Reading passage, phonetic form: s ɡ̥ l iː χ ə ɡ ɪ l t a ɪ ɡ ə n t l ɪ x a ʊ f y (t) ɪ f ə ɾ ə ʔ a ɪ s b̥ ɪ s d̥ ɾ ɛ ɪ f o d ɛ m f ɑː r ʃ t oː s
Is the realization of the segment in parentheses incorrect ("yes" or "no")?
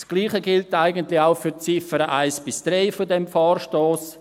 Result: yes